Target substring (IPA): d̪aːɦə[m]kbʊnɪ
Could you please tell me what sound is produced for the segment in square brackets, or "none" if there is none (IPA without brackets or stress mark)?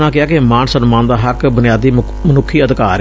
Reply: none